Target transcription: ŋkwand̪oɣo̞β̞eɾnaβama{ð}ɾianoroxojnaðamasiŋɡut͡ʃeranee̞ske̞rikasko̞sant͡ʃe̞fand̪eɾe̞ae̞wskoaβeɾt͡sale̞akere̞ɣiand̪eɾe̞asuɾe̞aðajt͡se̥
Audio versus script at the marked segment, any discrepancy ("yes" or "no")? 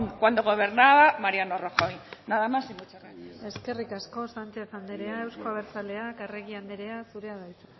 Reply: yes